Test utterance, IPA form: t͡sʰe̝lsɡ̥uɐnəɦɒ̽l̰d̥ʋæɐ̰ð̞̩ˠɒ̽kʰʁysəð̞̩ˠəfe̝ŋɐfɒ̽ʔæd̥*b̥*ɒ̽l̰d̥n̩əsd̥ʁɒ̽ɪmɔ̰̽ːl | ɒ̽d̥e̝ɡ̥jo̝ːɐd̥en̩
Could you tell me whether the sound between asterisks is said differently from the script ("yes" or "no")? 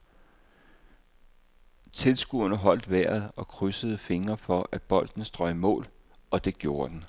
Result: no